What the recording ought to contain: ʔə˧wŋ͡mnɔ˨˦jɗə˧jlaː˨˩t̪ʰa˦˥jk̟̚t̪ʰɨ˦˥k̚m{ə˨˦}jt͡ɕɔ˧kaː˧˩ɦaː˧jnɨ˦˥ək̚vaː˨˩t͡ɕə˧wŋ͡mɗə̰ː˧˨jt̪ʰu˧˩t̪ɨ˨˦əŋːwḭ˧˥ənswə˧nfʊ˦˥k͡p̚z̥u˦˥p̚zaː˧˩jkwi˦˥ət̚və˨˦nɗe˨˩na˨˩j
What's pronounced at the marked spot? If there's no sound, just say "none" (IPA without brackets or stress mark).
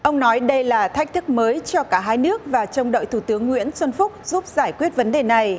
əː˨˦